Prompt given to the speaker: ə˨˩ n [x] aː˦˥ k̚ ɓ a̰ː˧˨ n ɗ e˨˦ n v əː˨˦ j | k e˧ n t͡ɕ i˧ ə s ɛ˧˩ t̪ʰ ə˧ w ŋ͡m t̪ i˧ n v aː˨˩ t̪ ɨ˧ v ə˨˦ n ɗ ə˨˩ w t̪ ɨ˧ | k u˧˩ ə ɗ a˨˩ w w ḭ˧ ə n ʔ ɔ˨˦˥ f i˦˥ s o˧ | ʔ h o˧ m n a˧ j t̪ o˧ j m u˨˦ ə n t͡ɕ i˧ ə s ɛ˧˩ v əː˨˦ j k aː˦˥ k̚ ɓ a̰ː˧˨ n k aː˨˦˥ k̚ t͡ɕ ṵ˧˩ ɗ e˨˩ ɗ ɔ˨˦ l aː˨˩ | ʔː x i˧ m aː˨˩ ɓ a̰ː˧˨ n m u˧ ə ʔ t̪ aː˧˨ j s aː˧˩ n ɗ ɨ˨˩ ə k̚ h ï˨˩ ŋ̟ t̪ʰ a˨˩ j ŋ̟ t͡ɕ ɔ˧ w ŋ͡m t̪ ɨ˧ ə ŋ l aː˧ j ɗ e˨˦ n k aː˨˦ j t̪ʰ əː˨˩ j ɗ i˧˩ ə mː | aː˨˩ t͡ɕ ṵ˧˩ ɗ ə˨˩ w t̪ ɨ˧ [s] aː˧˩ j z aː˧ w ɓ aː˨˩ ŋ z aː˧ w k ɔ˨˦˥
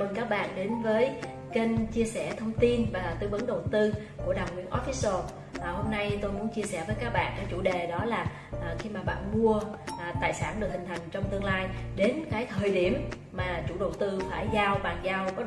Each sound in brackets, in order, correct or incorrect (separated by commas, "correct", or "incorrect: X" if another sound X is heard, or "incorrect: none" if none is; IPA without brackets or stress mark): incorrect: k, incorrect: f